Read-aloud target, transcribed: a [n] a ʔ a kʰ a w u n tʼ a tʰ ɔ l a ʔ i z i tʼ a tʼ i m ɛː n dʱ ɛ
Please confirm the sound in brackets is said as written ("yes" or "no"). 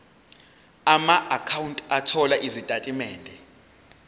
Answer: no